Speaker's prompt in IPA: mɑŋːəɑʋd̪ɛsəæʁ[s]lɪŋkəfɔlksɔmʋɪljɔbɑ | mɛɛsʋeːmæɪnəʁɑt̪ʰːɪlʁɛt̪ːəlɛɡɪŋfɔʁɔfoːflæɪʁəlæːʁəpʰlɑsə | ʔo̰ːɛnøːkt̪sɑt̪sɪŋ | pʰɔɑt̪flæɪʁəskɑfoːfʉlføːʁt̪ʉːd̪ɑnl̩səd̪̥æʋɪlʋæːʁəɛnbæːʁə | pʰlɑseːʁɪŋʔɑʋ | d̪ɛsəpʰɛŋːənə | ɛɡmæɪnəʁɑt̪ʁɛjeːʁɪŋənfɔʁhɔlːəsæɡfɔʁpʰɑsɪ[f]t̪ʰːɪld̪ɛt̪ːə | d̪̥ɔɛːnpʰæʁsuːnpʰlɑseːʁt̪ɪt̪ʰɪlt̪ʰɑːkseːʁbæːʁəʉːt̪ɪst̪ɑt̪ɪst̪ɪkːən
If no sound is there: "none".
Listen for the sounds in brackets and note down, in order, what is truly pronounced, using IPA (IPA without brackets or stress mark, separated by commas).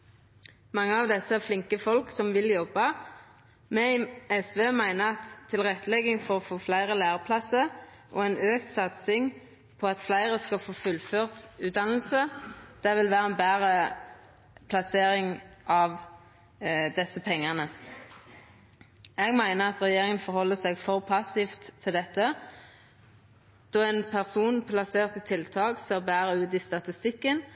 f, f